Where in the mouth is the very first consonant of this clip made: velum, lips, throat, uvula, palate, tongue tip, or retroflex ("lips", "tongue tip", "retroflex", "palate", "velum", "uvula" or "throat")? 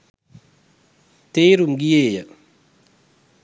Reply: tongue tip